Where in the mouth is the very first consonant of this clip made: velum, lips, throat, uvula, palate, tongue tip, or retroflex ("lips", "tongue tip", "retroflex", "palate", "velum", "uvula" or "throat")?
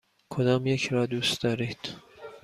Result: velum